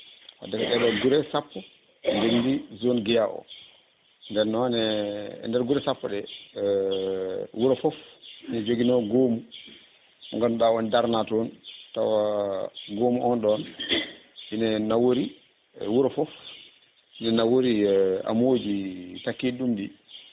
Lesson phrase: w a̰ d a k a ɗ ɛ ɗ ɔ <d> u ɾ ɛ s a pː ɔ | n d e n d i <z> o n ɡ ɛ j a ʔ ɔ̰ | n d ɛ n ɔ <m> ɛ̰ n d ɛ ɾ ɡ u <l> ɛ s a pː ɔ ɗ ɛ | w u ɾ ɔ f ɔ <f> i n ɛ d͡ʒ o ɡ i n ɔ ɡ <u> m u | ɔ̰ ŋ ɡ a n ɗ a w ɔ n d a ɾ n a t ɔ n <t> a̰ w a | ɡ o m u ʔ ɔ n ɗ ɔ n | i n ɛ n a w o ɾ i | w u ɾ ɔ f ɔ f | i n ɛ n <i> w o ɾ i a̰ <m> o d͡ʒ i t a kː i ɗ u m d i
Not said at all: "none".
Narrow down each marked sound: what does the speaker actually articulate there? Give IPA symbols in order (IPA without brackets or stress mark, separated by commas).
ɡ, z, n, ɾ, f, o, t, a, m